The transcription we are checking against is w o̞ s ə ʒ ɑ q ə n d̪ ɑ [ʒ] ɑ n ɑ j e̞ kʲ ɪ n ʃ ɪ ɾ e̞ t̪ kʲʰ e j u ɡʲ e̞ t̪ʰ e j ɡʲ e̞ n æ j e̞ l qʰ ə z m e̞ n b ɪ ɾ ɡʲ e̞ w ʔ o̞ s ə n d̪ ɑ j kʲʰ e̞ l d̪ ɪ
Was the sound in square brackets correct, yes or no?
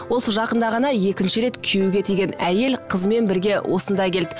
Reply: no